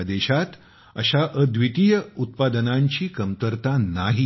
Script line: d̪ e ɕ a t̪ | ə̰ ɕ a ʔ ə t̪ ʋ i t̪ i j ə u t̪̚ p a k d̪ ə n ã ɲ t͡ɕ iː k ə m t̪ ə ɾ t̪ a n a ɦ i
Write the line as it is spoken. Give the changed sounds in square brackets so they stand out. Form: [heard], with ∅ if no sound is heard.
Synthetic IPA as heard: d̪ e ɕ a t̪ | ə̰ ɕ a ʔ ə [d̪] ʋ i t̪ i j ə u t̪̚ p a [∅] d̪ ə n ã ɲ t͡ɕ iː k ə m t̪ ə ɾ t̪ a n a ɦ i